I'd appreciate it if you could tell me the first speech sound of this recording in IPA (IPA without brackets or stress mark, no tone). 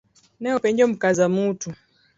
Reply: n